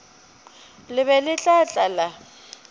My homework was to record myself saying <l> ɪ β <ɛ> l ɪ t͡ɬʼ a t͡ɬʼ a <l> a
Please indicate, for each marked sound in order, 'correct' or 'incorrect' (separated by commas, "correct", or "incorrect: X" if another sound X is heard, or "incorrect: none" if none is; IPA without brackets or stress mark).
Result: correct, correct, correct